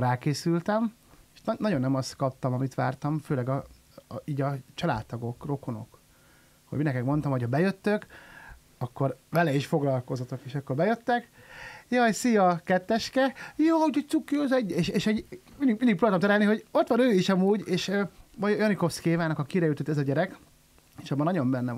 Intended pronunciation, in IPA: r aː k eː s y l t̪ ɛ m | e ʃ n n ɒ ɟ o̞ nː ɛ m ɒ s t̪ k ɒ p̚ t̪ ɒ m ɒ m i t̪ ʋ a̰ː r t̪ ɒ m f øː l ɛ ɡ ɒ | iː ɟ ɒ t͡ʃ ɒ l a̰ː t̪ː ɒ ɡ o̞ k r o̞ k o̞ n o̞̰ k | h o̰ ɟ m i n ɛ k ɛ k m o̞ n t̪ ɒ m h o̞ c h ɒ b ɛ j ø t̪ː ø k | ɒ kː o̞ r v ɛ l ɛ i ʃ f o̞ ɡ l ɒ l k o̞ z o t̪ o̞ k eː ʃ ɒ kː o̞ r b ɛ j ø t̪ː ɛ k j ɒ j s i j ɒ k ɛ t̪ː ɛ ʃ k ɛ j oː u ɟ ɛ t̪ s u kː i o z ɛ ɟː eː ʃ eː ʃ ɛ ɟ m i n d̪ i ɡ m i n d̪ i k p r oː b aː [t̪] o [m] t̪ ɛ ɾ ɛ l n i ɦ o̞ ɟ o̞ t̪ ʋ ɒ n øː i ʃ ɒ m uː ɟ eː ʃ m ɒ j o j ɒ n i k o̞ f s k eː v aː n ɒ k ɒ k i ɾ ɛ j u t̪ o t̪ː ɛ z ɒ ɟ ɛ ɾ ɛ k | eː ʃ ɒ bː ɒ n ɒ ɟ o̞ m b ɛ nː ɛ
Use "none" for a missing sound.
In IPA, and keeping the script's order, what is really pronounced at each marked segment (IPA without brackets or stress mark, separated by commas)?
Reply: t̪, m